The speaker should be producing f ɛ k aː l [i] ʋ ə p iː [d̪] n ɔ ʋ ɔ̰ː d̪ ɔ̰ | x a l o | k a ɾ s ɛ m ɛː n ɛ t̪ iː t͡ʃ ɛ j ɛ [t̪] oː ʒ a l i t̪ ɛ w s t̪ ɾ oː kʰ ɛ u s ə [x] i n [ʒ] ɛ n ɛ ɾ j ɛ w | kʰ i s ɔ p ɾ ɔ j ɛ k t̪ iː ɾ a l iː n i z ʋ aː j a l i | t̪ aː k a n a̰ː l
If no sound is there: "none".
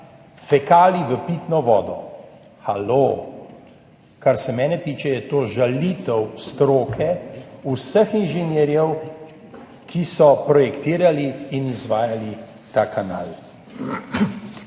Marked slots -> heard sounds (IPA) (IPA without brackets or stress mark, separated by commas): i, t̪, t̪, x, ʒ